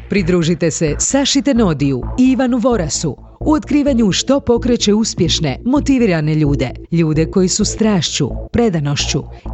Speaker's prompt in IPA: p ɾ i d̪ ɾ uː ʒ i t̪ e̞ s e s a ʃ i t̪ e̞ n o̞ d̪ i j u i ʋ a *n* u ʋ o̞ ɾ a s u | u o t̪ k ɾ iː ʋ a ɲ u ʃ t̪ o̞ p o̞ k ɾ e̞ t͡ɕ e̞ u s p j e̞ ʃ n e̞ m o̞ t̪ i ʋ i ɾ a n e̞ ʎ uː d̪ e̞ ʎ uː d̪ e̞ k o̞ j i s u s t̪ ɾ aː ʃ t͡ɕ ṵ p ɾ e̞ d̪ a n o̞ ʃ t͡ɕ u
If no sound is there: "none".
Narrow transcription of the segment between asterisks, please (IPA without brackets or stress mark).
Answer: n